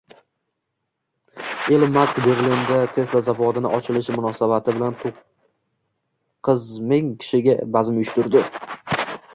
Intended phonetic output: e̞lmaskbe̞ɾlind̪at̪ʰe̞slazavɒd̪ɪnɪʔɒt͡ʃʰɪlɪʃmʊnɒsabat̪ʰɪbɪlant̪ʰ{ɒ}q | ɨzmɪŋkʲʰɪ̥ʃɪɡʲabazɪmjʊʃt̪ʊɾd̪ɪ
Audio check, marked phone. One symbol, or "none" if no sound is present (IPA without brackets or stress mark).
o